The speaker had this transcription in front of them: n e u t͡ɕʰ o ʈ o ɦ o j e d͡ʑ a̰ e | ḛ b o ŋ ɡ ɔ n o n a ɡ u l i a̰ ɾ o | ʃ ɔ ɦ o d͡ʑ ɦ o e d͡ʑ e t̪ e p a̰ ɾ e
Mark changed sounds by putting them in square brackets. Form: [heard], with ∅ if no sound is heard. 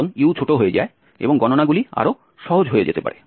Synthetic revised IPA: n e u t͡ɕʰ o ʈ o ɦ o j e d͡ʑ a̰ e | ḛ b o ŋ ɡ ɔ n o n a ɡ u l i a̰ ɾ o | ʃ ɔ ɦ o d͡ʑ ɦ o e d͡ʑ e t̪ e p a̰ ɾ e